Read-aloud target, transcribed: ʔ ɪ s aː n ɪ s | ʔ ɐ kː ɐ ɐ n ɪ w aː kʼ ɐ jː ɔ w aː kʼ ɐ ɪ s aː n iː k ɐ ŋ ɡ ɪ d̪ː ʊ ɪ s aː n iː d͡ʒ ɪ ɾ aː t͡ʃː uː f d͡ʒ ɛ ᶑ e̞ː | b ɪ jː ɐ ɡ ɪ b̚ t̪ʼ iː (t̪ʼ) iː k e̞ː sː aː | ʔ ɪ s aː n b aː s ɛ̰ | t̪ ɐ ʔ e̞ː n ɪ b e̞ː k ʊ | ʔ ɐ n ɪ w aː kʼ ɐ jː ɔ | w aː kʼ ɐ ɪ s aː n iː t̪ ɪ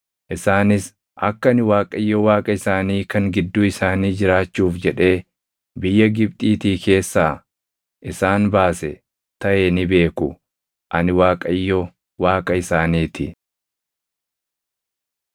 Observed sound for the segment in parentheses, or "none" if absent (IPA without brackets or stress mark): t̪